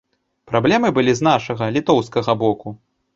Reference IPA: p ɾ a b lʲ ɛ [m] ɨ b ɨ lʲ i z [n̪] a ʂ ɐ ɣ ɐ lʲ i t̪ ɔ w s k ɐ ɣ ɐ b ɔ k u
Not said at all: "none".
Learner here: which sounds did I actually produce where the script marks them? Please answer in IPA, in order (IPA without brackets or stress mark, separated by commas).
m, n̪